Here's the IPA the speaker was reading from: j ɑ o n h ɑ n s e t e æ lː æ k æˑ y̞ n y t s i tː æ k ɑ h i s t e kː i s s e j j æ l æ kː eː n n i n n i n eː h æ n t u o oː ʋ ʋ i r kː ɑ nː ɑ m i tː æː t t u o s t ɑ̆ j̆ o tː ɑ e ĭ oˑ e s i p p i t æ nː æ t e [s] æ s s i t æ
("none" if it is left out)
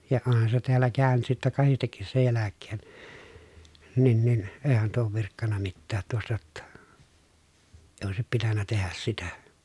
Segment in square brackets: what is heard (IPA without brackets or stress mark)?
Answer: h